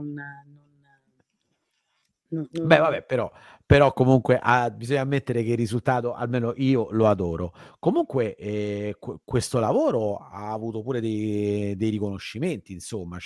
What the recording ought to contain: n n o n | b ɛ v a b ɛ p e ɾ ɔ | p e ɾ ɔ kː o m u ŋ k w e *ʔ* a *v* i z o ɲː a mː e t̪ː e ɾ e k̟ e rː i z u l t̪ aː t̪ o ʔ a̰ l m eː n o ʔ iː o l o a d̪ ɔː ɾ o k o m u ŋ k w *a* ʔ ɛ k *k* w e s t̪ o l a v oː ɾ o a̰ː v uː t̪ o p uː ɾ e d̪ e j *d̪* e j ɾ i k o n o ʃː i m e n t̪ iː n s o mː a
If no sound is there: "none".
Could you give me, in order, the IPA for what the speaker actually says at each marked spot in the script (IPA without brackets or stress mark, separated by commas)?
ʔ, b, e, k, d̪